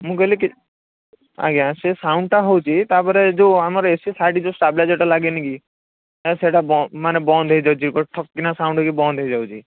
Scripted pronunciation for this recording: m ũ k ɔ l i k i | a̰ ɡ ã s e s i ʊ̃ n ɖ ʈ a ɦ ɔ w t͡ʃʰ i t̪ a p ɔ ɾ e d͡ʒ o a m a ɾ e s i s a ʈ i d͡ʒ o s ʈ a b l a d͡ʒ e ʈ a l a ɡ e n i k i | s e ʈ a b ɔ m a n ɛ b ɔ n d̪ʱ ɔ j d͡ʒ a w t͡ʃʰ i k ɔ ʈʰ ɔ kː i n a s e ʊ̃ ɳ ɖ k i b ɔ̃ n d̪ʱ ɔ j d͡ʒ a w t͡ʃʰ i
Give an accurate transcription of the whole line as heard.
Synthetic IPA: m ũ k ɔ l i k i | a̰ ɡ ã s e s a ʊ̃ ɳ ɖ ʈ a ɦ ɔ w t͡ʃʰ i t̪ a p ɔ ɾ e d͡ʒ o a m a ɾ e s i s a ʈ i d͡ʒ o s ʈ a b l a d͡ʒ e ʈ a l a ɡ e n i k i | s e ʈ a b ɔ m a n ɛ b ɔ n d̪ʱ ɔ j d͡ʒ a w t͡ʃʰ i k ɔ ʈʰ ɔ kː i n a s a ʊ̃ ɳ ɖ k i b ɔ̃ n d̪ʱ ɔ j d͡ʒ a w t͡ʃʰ i